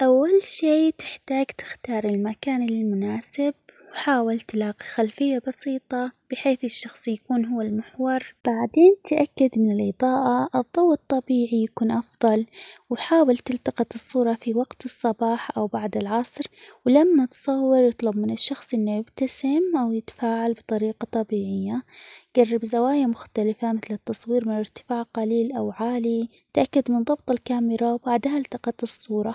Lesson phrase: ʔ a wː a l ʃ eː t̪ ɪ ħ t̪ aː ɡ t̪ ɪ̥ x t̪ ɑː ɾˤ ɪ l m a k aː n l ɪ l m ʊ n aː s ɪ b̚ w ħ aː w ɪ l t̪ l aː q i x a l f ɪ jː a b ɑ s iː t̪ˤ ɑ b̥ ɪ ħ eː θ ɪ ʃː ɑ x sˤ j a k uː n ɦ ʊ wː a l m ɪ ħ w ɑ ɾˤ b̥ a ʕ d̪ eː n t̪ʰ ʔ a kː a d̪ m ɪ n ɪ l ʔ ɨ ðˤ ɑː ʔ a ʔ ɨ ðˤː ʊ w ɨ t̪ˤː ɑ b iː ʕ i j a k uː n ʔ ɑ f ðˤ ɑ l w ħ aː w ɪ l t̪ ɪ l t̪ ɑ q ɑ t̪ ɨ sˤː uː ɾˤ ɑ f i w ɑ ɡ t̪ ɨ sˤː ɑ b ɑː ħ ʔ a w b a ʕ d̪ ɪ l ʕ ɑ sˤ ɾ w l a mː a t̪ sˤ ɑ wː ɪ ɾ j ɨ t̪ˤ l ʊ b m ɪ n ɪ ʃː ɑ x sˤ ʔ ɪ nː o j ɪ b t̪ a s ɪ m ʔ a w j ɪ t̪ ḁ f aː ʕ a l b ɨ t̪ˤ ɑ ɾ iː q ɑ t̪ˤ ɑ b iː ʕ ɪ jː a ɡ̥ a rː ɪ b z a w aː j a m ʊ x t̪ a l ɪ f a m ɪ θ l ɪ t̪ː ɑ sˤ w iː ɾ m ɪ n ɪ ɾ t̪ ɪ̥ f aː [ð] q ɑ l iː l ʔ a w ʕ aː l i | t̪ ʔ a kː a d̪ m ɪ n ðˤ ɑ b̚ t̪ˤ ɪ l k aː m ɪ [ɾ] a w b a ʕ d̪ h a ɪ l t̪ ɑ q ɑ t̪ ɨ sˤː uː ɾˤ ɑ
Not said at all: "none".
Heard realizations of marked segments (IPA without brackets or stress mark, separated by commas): ʕ, ɾ